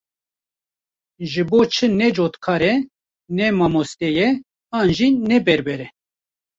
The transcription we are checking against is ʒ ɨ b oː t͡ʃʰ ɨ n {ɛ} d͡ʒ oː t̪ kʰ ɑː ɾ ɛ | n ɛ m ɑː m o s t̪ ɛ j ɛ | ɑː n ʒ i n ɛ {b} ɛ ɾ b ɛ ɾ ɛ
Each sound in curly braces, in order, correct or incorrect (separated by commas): correct, correct